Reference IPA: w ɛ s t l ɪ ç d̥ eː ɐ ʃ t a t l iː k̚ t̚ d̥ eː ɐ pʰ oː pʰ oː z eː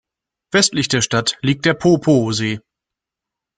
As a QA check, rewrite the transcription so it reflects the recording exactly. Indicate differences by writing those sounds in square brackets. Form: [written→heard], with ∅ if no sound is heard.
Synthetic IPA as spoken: [w→v] ɛ s t l ɪ ç d̥ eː ɐ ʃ t a t l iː k̚ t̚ d̥ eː ɐ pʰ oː pʰ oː z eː